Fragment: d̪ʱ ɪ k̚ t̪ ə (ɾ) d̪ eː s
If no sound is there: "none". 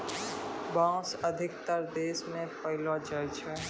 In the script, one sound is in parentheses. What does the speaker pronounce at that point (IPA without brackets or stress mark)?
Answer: ɾ